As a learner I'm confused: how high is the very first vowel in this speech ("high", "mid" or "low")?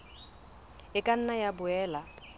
high